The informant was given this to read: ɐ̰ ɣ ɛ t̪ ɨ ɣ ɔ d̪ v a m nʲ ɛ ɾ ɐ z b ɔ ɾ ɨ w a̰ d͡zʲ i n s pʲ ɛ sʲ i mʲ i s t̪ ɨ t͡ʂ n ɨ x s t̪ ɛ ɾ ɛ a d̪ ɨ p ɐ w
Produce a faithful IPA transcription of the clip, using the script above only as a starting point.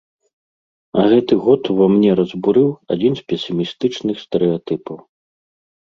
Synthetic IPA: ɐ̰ ɣ ɛ t̪ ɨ ɣ ɔ t̪ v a m nʲ ɛ ɾ ɐ z b u ɾ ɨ w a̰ d͡zʲ i n s pʲ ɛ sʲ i mʲ i s t̪ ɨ t͡ʂ n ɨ x s t̪ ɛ ɾ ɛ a t̪ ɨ p ɐ w